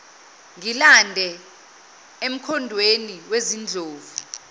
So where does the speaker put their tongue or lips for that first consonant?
velum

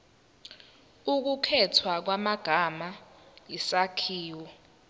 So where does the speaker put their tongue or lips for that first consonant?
velum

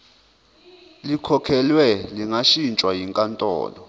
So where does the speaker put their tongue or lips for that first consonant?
tongue tip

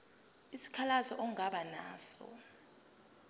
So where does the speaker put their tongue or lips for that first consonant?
tongue tip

